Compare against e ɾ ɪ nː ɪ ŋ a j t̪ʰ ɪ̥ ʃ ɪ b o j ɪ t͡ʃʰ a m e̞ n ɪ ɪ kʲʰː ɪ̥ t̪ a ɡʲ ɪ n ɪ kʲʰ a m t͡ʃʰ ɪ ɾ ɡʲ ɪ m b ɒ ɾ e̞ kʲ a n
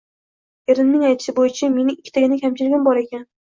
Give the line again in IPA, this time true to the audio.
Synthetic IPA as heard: e ɾ ɪ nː ɪ ŋ a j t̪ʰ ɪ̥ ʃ ɪ b o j ɪ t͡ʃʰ a m e̞ n ɪ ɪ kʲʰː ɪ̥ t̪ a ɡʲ ɪ n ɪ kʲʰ a m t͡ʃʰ ɪ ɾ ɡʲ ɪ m b ɒ ɾ e̞ kʲ a n